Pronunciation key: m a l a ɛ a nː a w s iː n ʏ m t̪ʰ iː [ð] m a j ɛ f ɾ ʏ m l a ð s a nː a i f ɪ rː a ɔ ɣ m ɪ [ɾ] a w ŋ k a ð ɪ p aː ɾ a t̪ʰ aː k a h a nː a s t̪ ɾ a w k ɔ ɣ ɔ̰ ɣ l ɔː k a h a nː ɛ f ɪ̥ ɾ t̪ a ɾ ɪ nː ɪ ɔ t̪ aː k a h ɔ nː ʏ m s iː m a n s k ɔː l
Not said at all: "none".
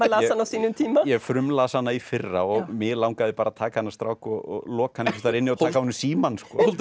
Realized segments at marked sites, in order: none, l

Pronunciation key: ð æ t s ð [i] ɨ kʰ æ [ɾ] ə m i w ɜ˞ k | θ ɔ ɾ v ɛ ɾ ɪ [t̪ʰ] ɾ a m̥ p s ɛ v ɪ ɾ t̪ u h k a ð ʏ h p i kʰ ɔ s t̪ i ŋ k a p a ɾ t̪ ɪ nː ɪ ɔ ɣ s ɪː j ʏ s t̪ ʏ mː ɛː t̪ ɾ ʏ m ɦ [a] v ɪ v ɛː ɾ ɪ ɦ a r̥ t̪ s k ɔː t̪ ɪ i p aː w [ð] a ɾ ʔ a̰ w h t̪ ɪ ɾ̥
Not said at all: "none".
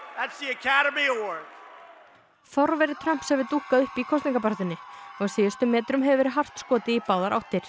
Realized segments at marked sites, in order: i, ɾ, t̪ʰ, ɛ, ð

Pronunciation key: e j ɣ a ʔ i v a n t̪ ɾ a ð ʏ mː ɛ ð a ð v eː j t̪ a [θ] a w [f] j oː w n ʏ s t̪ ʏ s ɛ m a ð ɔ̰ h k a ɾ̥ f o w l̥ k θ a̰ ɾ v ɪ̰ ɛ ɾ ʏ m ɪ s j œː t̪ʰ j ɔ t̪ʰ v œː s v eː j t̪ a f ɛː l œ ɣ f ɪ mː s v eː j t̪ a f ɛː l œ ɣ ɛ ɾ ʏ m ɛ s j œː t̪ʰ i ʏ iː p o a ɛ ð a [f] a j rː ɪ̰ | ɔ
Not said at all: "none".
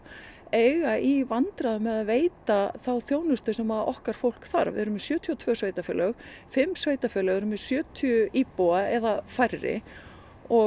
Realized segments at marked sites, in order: θ, θ, f

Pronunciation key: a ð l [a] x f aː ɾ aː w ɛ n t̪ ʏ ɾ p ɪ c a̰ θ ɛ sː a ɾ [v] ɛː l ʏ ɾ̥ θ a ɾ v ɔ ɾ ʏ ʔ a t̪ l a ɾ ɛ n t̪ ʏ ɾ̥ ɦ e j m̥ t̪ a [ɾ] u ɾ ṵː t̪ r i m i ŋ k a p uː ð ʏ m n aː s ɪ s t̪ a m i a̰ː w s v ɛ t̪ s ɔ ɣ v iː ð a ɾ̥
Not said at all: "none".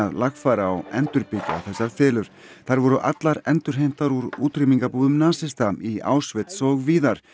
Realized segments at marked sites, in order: a, f, ɾ

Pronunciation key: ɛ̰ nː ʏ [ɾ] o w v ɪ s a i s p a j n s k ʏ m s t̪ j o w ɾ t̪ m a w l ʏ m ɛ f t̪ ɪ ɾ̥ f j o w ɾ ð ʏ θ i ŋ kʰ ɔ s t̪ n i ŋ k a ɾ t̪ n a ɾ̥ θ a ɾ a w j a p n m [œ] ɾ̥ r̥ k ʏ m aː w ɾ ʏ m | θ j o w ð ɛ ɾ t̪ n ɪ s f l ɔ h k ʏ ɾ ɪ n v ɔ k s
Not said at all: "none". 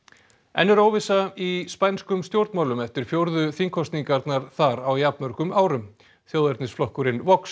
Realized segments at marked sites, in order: ɾ, œ

